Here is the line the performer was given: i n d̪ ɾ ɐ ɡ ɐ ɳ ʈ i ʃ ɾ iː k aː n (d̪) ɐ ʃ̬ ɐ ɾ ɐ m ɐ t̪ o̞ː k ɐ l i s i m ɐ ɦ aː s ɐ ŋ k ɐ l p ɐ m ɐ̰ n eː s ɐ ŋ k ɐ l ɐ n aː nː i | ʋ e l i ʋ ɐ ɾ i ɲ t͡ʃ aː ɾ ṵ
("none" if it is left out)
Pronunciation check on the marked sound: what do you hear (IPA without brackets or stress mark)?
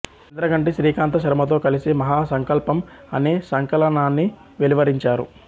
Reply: t̪